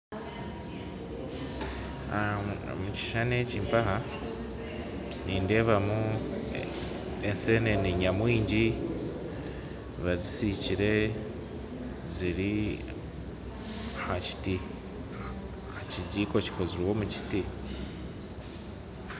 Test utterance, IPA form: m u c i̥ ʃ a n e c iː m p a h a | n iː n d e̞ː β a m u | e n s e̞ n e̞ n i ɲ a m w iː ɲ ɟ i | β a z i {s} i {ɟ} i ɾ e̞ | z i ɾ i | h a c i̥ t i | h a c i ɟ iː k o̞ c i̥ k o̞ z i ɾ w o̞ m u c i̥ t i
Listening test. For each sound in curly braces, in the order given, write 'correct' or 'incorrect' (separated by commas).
correct, incorrect